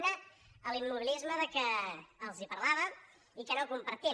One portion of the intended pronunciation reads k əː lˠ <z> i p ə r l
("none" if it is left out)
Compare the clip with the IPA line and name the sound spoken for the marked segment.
z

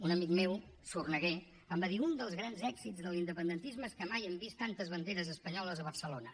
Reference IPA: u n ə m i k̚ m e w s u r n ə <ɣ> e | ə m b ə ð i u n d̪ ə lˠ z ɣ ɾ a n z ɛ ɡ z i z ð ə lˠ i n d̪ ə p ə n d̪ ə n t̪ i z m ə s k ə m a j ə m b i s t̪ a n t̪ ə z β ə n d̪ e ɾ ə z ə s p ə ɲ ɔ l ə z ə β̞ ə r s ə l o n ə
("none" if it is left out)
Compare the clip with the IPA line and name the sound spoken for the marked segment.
ɣ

